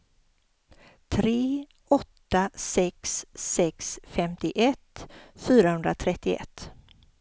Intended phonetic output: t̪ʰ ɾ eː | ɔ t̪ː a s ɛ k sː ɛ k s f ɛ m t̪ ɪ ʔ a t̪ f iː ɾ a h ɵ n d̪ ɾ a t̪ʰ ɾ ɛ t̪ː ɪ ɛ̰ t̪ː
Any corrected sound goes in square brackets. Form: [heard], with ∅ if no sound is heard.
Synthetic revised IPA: t̪ʰ ɾ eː | ɔ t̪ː a s ɛ k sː ɛ k s f ɛ m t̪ ɪ ʔ [ɛ] t̪ f [yː] ɾ a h ɵ n d̪ ɾ a t̪ʰ ɾ ɛ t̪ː ɪ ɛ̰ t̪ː